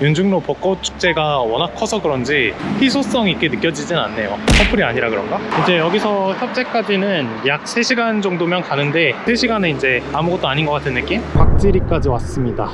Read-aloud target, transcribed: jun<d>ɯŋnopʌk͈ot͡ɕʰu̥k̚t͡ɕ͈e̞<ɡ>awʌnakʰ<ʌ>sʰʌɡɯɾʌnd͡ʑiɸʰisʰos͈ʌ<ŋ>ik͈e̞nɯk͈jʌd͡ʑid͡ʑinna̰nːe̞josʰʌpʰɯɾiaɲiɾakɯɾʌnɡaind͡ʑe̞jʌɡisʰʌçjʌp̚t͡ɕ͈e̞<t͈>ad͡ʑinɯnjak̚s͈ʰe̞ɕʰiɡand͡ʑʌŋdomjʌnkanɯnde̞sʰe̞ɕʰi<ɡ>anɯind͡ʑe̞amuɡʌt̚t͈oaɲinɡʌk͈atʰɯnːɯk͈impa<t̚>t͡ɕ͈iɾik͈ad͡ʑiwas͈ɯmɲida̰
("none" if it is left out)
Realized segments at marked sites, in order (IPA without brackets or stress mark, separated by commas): d͡ʑ, ɡ, ʌ, ŋ, k͈, ɡ, k̚